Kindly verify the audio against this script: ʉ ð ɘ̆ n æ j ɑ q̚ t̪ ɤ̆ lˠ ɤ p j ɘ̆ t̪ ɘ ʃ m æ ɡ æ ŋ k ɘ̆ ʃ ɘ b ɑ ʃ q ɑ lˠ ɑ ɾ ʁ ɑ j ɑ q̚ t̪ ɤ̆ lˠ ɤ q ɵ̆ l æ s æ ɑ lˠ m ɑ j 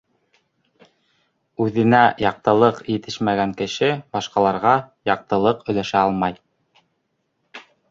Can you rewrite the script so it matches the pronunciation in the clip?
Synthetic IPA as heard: ʉ ð ɘ̆ n æ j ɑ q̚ t̪ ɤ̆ lˠ ɤ q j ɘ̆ t̪ ɘ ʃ m æ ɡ æ ŋ k ɘ̆ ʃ ɘ b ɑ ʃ q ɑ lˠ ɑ ɾ ʁ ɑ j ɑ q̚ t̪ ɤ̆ lˠ ɤ q ɵ̆ l æ ʃ æ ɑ lˠ m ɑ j